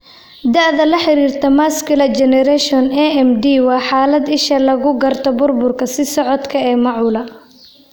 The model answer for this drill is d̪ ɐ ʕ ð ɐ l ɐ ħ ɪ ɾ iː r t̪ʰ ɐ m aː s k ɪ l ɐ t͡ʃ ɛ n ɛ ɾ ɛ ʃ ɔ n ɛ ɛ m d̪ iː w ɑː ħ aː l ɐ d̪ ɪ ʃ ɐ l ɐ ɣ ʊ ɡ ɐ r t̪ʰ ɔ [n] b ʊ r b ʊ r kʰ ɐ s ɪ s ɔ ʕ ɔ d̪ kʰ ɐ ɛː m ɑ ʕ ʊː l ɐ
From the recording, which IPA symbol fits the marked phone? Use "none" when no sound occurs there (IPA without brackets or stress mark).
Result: none